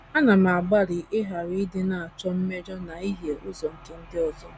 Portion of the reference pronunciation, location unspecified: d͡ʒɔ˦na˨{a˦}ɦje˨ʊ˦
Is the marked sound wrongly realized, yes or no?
yes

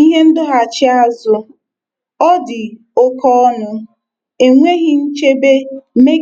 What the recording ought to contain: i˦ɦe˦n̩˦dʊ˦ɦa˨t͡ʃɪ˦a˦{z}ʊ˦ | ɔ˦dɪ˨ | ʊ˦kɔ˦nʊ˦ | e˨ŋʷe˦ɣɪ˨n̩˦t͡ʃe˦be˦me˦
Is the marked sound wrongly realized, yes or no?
no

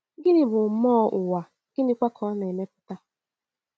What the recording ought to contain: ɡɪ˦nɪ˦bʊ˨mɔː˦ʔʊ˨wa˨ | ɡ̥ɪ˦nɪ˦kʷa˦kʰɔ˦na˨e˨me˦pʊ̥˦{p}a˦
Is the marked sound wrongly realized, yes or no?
yes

